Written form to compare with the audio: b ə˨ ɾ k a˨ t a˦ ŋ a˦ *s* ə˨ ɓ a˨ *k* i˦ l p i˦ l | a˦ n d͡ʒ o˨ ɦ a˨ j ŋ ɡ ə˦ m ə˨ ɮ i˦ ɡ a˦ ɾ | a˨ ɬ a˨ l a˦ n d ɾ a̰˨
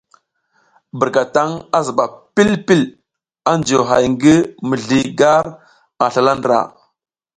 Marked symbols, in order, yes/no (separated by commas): no, no